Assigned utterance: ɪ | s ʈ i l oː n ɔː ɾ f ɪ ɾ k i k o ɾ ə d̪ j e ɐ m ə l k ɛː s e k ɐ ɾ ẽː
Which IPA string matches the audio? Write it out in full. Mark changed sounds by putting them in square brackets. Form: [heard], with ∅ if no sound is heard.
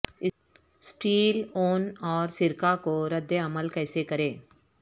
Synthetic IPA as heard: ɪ | s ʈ [iː] l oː n ɔː ɾ [s] ɪ ɾ k [a] k o ɾ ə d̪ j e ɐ m ə l k ɛː s e k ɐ ɾ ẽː